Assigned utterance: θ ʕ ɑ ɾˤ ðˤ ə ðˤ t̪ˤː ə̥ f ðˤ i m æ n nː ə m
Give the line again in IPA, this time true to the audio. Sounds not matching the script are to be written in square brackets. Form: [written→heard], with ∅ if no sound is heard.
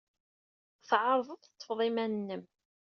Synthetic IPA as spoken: θ ʕ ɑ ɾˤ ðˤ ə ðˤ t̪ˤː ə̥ f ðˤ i m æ n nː ə m